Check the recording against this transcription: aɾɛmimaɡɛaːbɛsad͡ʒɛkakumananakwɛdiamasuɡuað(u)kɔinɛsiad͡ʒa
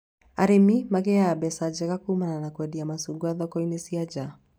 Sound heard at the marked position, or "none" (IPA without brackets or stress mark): ɔ